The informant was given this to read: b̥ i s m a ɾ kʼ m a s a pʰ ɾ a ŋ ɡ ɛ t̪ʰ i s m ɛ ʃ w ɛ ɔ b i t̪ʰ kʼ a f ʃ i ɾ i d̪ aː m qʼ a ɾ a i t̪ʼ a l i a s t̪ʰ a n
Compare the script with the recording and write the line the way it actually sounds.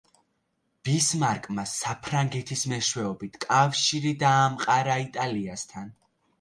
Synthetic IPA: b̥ i s m a ɾ kʼ m a s a pʰ ɾ a ŋ ɡ ɛ t̪ʰ i s m ɛ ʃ w ɛ ɔ b i t̪ʰ kʼ a f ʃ i ɾ i d̪ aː m qʼ a ɾ a i t̪ʼ a l i a s t̪ʰ a n